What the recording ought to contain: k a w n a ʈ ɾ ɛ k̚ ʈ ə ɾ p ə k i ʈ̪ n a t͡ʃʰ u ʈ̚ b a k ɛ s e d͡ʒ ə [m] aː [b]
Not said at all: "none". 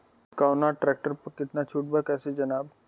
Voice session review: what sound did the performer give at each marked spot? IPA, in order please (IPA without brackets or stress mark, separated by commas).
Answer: n, b